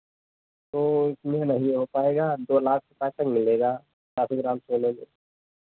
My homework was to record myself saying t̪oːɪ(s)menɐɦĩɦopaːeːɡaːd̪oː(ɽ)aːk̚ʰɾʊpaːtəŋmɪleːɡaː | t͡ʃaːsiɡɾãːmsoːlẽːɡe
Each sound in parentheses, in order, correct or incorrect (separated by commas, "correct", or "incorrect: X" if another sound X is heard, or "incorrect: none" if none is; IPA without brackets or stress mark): correct, incorrect: l